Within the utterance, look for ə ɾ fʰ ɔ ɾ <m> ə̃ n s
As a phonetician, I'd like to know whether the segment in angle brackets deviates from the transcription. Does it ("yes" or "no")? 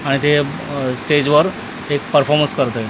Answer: no